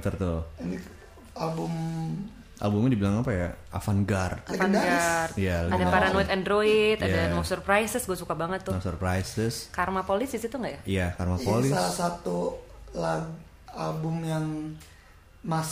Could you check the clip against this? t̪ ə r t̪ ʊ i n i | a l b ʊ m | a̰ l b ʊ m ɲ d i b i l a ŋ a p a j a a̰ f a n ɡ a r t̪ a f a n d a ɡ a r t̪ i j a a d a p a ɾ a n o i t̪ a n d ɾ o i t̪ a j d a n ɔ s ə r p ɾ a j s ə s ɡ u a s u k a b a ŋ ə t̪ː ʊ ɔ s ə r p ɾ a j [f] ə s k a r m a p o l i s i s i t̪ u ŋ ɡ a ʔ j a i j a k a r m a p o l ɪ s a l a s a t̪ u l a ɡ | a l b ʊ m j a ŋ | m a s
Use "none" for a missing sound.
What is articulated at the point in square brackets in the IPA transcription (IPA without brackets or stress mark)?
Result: s